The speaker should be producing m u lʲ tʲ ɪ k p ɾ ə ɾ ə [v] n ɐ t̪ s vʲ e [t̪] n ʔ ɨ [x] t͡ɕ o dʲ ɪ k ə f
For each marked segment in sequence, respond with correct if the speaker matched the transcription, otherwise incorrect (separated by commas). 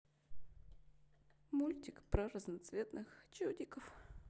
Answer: incorrect, correct, correct